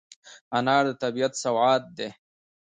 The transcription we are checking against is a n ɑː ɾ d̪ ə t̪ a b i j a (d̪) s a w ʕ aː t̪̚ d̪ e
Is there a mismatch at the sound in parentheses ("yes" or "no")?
yes